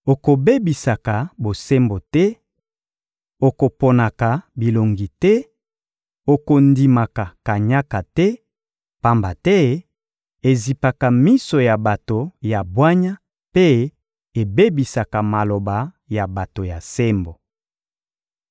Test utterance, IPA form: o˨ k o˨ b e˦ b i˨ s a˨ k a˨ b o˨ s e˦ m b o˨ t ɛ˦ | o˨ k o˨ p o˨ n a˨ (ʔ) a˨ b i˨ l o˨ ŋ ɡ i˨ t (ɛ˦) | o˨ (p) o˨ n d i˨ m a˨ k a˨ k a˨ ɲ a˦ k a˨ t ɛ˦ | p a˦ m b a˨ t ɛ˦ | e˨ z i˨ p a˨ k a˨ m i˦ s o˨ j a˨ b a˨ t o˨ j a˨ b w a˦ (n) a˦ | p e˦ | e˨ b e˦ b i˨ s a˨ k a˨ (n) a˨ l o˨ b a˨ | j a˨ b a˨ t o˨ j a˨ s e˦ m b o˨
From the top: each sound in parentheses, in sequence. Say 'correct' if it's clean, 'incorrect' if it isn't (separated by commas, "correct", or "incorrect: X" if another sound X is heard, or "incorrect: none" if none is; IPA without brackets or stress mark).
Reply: incorrect: k, correct, incorrect: k, incorrect: ɲ, incorrect: m